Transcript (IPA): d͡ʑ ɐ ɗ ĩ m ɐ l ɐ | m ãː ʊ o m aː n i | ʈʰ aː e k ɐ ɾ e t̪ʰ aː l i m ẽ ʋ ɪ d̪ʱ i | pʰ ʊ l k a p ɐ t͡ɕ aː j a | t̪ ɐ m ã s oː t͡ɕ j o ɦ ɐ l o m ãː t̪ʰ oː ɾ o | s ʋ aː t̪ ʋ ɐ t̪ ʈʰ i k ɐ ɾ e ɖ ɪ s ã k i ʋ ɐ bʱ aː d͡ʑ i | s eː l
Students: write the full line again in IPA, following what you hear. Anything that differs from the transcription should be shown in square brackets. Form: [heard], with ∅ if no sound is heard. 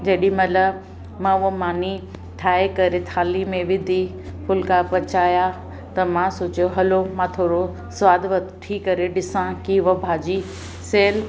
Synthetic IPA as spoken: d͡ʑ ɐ ɗ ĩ m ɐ l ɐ | m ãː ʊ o m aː n i | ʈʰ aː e k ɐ ɾ e t̪ʰ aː l i m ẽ ʋ ɪ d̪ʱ i | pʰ ʊ l k a p ɐ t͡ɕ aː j a | t̪ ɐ m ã s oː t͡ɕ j o ɦ ɐ l o m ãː t̪ʰ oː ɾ o | s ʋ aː [d̪] ʋ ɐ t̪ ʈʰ i k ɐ ɾ e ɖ ɪ s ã k i ʋ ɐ bʱ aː d͡ʑ i | s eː l